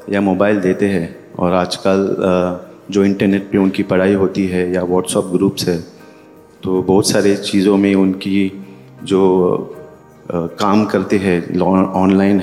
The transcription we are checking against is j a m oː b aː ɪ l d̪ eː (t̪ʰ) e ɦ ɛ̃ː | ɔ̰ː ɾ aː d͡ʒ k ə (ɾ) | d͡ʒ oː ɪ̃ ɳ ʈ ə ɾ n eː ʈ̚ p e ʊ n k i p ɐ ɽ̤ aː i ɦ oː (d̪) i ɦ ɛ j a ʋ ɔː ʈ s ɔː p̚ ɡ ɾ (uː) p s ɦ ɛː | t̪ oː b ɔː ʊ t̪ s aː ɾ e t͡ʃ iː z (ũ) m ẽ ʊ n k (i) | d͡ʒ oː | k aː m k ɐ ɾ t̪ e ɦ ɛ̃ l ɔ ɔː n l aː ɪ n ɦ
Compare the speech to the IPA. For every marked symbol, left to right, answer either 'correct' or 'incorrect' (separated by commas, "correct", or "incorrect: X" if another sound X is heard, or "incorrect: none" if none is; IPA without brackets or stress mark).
incorrect: t̪, incorrect: l, incorrect: t̪, correct, incorrect: õ, correct